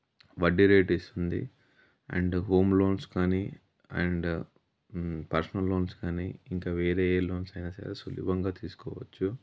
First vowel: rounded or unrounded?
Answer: unrounded